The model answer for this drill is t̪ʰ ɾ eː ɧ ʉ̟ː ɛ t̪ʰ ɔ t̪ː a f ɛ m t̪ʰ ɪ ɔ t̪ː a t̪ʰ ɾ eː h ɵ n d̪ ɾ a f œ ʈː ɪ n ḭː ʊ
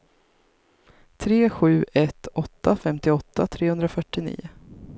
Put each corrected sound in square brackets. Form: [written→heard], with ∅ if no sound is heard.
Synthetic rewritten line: t̪ʰ ɾ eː ɧ ʉ̟ː ɛ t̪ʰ ɔ t̪ː a f ɛ m [t̪ʰ→t̪] ɪ ɔ t̪ː a t̪ʰ ɾ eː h ɵ n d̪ ɾ a f œ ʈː ɪ n ḭː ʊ